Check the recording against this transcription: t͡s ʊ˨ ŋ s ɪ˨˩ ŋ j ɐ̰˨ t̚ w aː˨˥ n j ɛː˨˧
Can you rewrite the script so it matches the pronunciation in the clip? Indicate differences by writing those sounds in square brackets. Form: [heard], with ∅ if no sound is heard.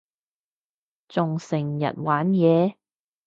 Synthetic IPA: t͡s ʊ˨ ŋ s ɪ˨˩ ŋ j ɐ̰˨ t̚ w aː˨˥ n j ɛː˨˧